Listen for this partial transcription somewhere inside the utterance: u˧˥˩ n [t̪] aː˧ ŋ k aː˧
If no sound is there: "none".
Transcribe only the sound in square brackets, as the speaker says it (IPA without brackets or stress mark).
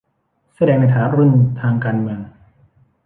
t̪ʰ